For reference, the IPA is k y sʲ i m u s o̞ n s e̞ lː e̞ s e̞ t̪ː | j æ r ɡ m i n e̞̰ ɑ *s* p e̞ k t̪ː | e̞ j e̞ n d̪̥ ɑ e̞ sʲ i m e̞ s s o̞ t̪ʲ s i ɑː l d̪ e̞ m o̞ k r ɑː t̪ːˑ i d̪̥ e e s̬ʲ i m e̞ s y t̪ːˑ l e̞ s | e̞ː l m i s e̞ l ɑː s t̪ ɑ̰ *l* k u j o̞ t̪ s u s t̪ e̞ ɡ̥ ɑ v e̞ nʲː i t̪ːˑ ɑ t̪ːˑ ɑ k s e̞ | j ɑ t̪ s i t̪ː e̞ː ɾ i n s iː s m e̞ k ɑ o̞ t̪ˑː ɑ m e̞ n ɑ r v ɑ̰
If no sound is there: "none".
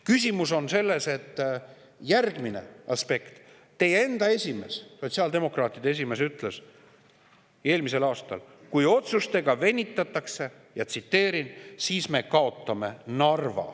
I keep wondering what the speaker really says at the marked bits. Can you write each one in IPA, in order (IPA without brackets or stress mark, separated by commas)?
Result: s, l